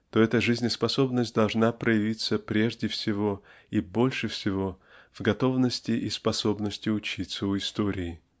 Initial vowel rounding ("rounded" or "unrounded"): rounded